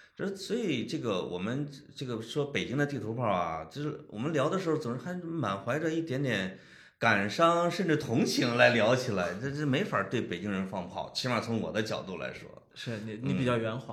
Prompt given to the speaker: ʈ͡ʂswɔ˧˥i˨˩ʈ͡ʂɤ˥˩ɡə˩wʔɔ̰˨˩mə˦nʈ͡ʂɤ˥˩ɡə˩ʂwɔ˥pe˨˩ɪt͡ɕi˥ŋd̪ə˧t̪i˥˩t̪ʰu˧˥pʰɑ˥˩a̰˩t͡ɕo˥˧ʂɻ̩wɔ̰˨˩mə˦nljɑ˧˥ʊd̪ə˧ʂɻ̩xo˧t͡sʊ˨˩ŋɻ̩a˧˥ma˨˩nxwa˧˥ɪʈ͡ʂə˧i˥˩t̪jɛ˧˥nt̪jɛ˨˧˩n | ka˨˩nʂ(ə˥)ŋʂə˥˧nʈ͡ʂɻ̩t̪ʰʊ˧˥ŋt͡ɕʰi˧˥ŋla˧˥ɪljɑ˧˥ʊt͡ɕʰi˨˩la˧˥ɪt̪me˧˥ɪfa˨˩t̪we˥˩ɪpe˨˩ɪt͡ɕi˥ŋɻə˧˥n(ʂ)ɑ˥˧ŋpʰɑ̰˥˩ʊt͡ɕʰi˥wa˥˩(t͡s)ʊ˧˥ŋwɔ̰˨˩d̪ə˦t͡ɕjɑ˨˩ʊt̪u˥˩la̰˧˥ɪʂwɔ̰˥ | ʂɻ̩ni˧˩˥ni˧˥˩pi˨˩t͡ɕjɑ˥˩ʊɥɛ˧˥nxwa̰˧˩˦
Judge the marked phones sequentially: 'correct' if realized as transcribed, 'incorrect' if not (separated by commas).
incorrect, incorrect, incorrect